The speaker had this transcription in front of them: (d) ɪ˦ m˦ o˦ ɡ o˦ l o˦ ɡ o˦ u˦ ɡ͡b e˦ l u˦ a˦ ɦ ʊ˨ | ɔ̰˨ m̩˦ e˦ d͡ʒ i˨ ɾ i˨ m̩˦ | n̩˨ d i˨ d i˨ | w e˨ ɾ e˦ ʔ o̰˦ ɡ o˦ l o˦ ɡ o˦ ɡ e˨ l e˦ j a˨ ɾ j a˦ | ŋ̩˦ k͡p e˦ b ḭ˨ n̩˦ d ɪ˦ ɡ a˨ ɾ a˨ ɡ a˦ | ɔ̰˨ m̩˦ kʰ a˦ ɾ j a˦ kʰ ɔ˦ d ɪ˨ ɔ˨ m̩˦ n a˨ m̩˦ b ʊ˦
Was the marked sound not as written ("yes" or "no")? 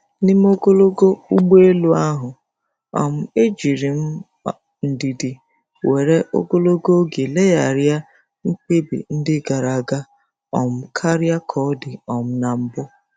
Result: yes